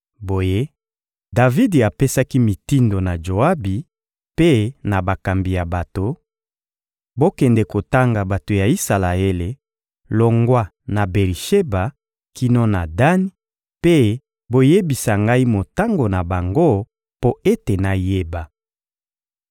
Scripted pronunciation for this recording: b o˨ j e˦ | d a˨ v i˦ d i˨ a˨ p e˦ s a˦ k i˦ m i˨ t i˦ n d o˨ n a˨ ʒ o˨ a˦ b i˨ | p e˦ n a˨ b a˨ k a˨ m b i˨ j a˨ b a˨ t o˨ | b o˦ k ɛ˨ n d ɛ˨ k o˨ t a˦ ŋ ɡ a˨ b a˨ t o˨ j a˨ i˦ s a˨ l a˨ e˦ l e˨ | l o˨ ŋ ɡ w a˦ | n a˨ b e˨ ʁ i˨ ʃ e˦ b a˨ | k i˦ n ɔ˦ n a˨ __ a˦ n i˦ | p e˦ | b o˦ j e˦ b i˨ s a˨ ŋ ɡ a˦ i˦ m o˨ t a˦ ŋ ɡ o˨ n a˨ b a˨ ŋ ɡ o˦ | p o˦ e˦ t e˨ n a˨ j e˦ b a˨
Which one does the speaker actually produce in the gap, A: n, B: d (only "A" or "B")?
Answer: B